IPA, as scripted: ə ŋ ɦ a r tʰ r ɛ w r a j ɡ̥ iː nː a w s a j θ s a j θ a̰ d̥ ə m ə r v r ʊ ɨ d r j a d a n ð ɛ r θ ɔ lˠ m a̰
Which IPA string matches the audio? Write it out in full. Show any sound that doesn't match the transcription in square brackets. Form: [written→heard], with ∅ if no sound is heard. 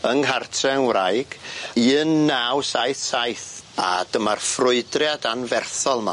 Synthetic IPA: ə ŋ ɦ a r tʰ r ɛ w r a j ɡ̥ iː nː a w s a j θ s a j θ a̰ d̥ ə m [ə→a] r [v→f] r ʊ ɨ d r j a d a n [ð→v] ɛ r θ ɔ lˠ m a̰